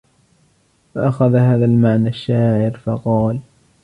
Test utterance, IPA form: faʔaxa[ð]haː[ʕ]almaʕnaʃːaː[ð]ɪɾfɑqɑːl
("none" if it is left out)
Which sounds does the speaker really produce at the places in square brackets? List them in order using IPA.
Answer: ð, ð, ʕ

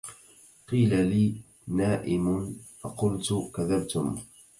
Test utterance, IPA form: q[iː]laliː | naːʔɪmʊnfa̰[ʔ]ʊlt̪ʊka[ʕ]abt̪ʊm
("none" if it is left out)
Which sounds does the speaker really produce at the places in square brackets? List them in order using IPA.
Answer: iː, q, ð

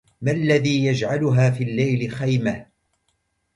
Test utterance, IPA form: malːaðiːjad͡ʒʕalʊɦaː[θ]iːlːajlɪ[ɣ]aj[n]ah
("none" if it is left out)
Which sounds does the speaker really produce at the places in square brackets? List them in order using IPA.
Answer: f, x, m

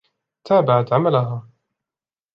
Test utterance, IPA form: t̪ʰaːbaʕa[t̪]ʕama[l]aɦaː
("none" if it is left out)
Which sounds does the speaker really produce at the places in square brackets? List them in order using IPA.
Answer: t̪, l

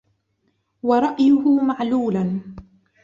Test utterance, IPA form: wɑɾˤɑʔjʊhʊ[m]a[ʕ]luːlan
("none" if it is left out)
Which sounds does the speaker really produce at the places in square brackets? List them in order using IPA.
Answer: m, ʕ

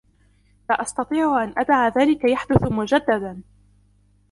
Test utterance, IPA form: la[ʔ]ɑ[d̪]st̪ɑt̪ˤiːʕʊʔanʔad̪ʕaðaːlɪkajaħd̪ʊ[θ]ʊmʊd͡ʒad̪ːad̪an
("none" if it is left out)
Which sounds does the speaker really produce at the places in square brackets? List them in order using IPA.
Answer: ʔ, none, θ

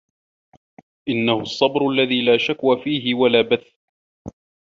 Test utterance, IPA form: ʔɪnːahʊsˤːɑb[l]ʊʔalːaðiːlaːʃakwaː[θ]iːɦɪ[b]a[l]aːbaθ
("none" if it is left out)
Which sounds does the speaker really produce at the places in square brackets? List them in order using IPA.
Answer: ɾ, f, w, l

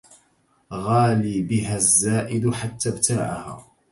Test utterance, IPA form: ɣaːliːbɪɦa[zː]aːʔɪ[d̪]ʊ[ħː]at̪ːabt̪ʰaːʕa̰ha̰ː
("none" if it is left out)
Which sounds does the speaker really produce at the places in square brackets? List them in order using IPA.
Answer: zː, d̪, ħ

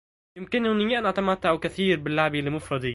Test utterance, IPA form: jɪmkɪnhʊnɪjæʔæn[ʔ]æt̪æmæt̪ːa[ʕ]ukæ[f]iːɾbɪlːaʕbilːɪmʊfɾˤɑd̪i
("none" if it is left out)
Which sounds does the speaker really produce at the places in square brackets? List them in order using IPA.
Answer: ʔ, ʕ, θ

